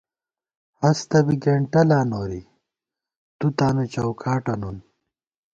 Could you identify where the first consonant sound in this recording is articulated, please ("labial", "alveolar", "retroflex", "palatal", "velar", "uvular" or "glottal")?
glottal